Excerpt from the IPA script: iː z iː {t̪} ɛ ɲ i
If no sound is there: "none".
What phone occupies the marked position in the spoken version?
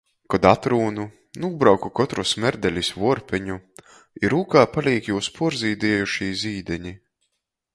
d̪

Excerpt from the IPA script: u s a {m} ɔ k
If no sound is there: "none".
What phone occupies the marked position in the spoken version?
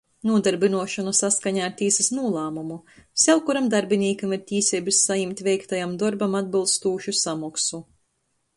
m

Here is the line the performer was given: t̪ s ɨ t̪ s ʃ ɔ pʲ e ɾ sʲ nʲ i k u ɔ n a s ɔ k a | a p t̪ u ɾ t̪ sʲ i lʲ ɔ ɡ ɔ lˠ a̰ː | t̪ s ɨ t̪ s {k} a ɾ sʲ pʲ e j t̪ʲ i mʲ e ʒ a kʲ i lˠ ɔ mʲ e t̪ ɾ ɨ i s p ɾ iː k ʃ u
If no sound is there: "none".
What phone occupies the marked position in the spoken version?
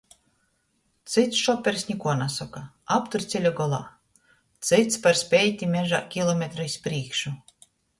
p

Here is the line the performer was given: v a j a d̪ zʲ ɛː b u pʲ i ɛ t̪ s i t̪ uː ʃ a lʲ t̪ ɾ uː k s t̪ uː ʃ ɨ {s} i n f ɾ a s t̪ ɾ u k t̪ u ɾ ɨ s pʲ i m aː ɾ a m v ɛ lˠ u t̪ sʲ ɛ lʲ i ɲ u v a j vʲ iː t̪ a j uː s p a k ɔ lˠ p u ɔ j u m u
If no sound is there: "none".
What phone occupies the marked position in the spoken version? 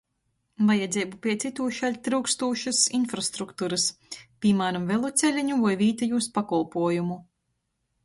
s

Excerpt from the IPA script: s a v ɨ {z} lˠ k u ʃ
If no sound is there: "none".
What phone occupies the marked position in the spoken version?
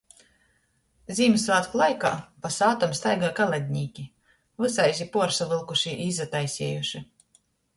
none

